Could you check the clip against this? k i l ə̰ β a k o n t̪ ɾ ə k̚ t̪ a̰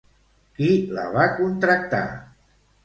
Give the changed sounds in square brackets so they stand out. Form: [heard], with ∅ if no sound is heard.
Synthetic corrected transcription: k i l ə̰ β a k [u] n t̪ ɾ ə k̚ t̪ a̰